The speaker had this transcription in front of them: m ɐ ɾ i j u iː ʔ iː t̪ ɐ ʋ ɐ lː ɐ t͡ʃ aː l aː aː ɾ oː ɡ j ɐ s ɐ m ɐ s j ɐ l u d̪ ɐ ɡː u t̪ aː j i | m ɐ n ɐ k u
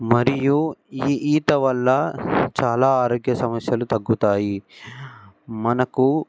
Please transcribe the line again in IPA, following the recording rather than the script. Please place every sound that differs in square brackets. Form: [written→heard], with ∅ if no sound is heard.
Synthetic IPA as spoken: m ɐ ɾ i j u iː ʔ iː t̪ ɐ ʋ ɐ lː ɐ t͡ʃ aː l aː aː ɾ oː ɡ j ɐ s ɐ m ɐ s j ɐ l u [d̪→t̪] ɐ ɡː u t̪ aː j i | m ɐ n ɐ k u